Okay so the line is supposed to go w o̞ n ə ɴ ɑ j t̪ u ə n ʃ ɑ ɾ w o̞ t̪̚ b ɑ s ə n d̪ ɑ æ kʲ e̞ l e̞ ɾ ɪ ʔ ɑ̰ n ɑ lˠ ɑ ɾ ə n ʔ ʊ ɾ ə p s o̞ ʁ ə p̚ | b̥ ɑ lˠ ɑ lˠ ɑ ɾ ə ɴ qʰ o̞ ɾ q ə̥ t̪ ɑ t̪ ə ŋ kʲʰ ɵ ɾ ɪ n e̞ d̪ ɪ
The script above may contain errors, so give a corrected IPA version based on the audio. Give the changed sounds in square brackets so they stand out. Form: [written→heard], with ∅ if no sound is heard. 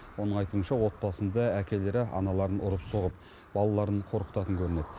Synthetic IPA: w o̞ n ə ɴ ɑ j t̪ u ə n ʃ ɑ [ɾ→∅] w o̞ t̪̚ b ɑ s ə n d̪ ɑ æ kʲ e̞ l e̞ ɾ ɪ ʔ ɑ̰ n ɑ lˠ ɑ ɾ ə n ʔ ʊ ɾ ə p s o̞ ʁ ə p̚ | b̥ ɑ lˠ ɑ lˠ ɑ ɾ ə ɴ qʰ o̞ ɾ q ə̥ t̪ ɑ t̪ ə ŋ kʲʰ ɵ ɾ ɪ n e̞ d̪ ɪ